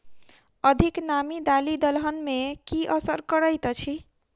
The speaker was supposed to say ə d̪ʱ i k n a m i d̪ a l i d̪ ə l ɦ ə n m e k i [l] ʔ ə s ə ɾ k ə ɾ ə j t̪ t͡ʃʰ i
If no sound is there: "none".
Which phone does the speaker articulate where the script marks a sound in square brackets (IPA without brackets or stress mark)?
none